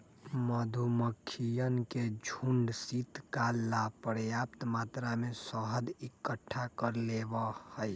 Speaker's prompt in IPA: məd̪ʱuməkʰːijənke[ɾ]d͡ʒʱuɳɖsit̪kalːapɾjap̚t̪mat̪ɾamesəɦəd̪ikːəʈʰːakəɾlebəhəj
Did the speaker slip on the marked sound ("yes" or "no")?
yes